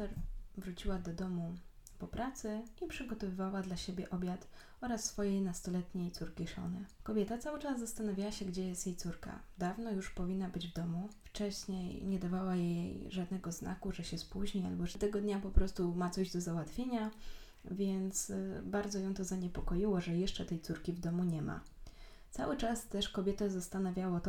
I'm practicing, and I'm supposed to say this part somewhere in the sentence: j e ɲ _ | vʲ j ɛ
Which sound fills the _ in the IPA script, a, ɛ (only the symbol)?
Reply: a